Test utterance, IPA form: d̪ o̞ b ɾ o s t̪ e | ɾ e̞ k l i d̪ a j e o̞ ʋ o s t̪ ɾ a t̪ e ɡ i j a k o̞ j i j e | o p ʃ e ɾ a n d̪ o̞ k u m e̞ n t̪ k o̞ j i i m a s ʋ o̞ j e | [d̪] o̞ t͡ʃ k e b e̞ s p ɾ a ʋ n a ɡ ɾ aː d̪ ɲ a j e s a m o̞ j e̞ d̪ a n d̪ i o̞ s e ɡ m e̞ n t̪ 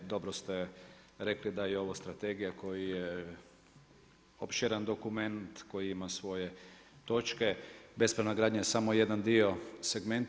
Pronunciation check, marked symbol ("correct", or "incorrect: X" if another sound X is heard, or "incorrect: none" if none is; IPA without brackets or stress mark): incorrect: t̪